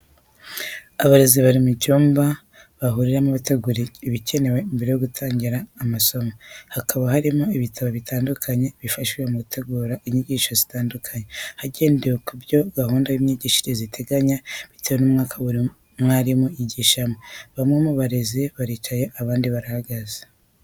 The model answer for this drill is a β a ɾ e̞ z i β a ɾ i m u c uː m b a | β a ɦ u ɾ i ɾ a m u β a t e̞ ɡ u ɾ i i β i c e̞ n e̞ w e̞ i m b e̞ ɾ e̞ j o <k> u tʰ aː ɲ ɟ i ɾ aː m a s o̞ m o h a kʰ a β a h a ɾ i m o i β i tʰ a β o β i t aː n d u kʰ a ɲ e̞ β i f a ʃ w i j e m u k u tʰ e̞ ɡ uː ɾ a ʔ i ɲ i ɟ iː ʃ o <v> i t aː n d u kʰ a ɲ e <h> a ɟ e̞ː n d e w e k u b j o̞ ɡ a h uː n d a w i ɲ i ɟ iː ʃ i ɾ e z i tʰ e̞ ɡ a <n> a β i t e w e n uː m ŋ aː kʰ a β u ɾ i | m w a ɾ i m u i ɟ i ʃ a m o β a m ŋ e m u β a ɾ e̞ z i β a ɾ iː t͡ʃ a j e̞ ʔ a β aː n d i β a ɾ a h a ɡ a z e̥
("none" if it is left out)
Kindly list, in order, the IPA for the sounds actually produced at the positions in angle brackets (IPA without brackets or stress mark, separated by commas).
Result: ɡ, z, h, ɲ